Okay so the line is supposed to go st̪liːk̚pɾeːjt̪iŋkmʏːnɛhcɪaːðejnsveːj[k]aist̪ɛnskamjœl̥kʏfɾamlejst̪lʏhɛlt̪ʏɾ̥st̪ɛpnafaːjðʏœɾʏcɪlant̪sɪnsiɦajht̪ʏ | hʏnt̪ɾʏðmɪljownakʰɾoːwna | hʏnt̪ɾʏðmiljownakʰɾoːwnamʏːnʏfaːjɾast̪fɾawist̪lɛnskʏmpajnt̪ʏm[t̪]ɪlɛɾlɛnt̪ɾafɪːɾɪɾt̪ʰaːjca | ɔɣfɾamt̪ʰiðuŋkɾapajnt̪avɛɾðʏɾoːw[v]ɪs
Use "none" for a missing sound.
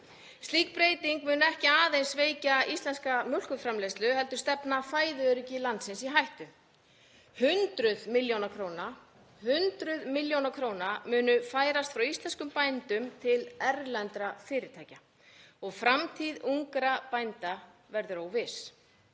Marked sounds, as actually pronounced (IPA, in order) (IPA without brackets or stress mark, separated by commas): c, t̪ʰ, v